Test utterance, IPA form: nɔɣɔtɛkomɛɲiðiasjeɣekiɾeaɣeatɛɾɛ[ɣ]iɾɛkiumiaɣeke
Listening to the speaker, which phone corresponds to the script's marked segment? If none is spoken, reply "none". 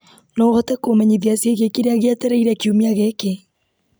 none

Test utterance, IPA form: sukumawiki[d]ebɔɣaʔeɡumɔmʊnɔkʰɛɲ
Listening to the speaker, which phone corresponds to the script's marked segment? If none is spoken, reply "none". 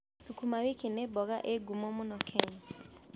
n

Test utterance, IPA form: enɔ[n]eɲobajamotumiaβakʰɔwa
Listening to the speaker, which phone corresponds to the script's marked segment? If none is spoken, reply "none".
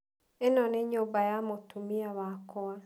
n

